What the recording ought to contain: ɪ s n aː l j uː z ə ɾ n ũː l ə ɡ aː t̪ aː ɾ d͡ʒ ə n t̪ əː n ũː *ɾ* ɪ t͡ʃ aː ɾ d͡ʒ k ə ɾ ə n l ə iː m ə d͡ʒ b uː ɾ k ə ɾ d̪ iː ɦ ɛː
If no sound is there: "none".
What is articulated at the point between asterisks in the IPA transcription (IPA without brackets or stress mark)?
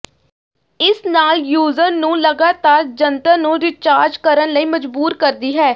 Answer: ɾ